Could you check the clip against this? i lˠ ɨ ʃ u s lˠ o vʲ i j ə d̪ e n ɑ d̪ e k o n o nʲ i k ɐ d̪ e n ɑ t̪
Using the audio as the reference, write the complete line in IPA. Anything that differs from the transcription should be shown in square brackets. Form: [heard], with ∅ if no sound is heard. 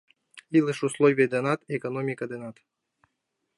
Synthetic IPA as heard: i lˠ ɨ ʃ u s lˠ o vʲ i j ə d̪ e n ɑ [t̪] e k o n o [mʲ] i k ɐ d̪ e n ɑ t̪